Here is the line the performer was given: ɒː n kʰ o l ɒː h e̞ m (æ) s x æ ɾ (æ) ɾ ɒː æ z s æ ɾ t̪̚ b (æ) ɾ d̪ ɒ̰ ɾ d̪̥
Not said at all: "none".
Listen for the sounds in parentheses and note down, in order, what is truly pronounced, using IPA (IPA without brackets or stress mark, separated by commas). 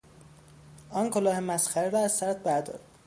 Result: æ, e, æ